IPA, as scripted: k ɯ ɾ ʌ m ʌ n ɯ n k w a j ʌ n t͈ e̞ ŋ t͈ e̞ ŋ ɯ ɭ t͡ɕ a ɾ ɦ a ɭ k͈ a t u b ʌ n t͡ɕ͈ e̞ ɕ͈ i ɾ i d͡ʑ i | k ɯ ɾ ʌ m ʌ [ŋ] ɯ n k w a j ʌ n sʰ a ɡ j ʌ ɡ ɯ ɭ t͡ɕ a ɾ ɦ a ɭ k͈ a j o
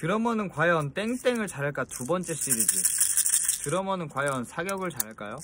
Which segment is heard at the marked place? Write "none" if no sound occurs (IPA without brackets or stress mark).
n